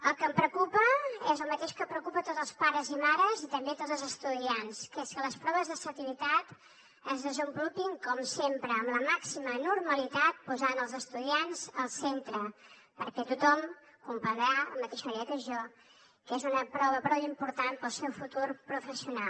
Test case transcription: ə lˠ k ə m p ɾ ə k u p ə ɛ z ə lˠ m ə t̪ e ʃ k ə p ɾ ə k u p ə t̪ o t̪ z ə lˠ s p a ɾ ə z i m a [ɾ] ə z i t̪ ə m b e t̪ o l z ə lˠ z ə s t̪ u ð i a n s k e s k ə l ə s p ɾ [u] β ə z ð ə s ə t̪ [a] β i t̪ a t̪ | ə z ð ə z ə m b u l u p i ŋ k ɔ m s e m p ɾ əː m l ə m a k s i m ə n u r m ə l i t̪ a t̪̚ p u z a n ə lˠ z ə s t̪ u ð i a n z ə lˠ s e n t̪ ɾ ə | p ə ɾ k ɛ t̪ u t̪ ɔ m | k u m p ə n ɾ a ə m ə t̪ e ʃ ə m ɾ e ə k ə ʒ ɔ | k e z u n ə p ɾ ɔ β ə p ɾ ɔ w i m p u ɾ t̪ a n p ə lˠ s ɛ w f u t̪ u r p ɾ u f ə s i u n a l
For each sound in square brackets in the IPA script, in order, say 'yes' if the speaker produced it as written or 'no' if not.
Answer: yes, no, no

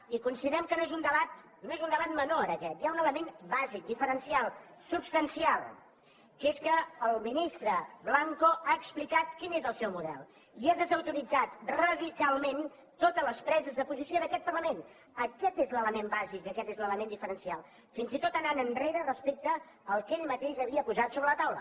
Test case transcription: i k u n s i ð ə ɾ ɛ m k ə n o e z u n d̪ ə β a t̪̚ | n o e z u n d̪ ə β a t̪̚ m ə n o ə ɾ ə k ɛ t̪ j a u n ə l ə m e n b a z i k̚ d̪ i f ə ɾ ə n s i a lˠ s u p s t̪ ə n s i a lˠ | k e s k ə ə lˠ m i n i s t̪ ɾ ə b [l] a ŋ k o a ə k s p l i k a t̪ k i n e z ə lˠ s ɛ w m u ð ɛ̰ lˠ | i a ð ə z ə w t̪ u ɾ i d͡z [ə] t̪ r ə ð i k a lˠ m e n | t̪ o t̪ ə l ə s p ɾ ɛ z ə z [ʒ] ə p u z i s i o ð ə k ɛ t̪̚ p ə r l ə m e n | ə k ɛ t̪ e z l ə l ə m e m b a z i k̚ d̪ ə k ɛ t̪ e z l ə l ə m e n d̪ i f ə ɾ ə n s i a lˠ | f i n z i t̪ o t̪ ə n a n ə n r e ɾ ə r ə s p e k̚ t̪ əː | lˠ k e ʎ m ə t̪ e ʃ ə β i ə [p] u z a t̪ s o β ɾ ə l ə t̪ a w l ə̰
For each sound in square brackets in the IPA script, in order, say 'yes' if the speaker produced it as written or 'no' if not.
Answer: yes, no, no, yes

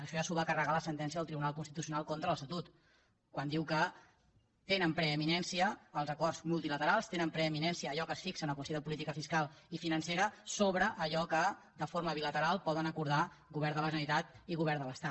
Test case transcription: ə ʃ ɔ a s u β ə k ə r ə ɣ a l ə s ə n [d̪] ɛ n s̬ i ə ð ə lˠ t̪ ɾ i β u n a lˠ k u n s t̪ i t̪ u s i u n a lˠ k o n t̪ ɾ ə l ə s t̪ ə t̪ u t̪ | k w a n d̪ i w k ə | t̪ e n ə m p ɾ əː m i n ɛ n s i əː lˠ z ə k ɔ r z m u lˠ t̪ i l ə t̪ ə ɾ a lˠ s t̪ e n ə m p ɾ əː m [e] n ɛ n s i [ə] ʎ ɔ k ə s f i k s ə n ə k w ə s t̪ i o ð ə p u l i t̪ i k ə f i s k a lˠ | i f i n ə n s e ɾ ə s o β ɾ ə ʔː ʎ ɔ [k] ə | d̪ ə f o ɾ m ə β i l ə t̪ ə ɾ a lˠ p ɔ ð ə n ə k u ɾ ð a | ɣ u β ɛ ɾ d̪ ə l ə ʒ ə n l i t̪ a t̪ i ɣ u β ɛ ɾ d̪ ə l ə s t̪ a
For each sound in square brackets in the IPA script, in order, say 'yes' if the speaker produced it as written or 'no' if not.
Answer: no, no, no, yes

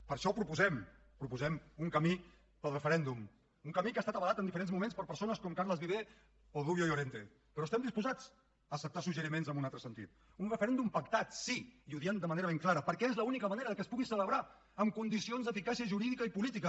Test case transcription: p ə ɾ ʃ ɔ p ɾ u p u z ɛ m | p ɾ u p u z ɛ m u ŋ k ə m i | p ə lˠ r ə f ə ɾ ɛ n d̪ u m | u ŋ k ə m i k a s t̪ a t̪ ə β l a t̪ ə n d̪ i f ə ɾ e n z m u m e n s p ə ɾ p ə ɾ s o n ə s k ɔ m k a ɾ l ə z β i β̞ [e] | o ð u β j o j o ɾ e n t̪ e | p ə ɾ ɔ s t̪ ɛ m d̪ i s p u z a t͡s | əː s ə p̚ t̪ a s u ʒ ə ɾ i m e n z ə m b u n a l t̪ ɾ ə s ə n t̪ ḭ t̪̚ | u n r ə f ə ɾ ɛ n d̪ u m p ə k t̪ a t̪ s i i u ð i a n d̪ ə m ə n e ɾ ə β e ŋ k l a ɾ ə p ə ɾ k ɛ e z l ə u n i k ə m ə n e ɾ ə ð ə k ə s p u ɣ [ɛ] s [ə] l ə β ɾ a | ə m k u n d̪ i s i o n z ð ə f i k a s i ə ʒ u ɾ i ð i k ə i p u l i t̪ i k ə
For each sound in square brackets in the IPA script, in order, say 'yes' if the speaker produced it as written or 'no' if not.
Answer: yes, no, yes

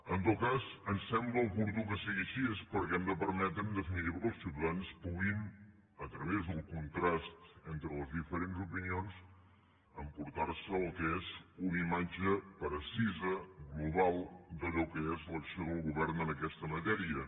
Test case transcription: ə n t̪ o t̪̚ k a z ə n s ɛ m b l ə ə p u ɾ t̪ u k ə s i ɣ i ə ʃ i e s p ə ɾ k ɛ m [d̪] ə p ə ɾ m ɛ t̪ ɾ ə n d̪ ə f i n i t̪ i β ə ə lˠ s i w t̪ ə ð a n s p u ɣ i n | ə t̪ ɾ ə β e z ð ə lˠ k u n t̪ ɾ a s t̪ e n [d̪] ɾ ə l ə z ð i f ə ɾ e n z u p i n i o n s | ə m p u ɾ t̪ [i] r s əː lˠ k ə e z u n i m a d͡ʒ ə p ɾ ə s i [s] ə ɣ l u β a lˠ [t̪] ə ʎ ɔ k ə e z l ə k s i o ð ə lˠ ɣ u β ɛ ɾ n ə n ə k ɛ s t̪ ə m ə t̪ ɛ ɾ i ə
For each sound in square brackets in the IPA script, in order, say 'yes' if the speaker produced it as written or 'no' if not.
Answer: yes, no, no, no, no

